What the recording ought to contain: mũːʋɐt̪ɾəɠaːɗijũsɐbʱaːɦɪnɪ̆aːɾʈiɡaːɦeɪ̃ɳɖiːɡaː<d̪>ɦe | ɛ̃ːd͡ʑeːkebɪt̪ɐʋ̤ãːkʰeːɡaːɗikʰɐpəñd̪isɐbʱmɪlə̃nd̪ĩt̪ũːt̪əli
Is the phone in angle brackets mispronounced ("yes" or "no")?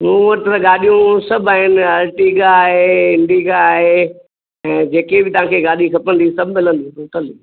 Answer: yes